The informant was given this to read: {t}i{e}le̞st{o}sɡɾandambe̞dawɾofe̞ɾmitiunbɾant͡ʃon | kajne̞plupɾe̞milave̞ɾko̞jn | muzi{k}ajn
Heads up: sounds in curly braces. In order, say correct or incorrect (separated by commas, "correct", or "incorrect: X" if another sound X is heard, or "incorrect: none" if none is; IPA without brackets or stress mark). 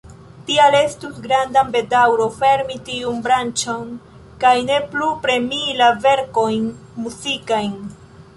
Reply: correct, incorrect: a, incorrect: u, correct